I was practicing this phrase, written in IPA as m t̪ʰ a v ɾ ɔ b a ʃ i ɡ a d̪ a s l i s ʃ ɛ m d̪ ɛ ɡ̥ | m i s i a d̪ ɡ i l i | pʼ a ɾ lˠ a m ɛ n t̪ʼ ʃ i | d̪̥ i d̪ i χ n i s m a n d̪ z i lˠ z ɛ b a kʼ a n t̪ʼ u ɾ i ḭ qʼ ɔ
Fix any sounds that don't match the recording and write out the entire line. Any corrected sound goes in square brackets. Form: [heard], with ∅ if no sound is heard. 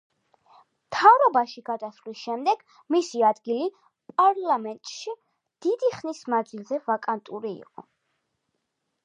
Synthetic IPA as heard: m t̪ʰ a v ɾ ɔ b a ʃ i ɡ a d̪ a s l i s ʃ ɛ m d̪ ɛ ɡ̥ | m i s i a d̪ ɡ i l i | pʼ a ɾ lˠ a m ɛ n t̪ʼ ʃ i | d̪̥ i d̪ i χ n i s m a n d̪ z i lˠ z ɛ [v] a kʼ a n t̪ʼ u ɾ i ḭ qʼ ɔ